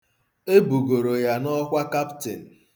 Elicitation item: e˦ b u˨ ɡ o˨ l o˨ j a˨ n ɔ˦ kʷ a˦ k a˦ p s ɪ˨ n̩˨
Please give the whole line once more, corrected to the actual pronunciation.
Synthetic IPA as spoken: e˦ b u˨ ɡ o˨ ɾ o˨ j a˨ n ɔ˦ kʷ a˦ k a˦ p t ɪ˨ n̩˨